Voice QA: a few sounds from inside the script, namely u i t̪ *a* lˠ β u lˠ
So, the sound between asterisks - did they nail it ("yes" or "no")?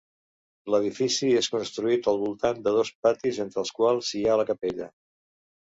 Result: no